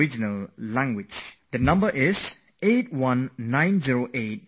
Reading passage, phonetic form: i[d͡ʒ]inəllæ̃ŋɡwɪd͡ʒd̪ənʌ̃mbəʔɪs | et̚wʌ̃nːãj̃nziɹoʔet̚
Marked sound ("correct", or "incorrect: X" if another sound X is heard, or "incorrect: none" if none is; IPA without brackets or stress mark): correct